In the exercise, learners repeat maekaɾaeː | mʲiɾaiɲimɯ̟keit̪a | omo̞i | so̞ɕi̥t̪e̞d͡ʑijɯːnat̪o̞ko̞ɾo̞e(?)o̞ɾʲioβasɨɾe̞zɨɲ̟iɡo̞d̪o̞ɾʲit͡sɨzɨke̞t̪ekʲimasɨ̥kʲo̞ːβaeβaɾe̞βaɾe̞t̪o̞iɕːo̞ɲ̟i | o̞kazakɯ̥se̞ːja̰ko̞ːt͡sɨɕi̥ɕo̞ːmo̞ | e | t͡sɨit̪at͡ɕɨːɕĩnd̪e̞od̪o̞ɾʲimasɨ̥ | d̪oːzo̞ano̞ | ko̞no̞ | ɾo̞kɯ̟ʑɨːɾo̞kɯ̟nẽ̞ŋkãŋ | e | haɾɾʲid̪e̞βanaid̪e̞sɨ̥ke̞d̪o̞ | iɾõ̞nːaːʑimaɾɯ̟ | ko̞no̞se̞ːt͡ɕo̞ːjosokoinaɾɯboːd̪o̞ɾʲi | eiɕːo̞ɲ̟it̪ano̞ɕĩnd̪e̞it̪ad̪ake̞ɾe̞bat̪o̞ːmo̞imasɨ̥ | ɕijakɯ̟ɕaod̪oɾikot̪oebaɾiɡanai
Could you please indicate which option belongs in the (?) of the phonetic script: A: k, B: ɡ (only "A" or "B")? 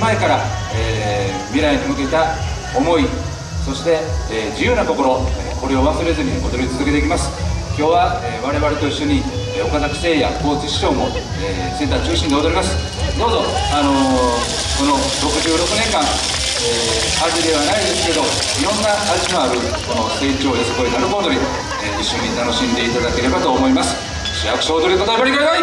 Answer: A